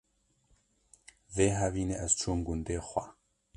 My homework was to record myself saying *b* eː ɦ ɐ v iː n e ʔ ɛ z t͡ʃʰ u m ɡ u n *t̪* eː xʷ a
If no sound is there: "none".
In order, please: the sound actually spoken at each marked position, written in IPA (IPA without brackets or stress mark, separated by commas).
v, d̪